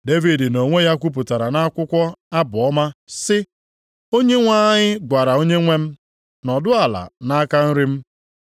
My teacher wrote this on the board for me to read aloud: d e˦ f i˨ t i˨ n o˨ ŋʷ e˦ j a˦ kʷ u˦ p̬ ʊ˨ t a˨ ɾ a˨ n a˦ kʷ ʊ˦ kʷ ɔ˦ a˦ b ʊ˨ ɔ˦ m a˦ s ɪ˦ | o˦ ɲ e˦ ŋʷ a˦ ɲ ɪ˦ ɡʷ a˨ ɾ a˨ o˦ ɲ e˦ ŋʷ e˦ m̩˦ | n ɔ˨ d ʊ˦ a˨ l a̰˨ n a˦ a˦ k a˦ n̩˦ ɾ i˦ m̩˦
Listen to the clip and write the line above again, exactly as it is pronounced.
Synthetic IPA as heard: d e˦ v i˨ d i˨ n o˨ ŋʷ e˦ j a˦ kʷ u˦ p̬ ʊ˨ t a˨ ɾ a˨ n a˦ kʷ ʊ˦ kʷ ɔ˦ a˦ b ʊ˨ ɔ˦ m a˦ s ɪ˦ | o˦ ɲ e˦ ŋʷ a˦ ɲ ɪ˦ ɡʷ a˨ ɾ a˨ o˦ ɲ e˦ ŋʷ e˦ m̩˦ | n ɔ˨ d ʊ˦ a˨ l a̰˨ n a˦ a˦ k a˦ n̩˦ ɾ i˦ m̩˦